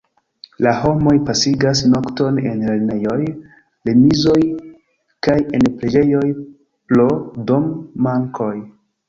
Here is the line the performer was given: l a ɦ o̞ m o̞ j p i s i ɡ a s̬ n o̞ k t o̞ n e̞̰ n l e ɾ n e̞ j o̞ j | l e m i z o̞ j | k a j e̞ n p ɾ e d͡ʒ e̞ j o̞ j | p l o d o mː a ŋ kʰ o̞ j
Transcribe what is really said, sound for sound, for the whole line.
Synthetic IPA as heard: l a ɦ o̞ m o̞ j p a s i ɡ a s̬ n o̞ k t o̞ n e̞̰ n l e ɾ n e̞ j o̞ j | l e m i z o̞ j | k a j e̞ n p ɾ e d͡ʒ e̞ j o̞ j | p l o d o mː a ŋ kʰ o̞ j